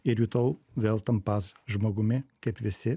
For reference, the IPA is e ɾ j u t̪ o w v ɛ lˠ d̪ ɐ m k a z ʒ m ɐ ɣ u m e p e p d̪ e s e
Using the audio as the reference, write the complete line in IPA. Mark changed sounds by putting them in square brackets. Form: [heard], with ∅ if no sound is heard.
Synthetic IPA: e ɾ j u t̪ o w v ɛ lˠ [t̪] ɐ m [p] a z ʒ m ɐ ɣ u m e [k] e p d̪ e s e